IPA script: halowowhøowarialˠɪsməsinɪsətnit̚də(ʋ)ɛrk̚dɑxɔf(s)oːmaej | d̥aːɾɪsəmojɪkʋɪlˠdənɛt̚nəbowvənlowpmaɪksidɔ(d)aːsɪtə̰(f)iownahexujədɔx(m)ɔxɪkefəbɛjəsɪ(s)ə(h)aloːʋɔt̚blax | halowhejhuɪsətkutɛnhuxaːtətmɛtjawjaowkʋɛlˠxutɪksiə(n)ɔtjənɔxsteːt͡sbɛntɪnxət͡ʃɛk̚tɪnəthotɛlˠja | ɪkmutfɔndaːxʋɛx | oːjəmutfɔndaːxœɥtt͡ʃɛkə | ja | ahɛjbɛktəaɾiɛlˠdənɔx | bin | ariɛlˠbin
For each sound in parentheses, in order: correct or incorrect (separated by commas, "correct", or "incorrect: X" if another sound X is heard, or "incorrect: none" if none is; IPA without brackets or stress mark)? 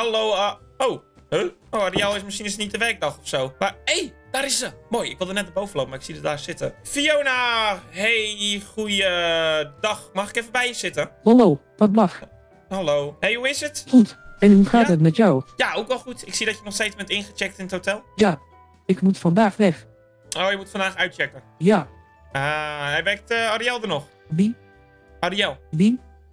correct, correct, correct, correct, correct, incorrect: t, correct, incorrect: d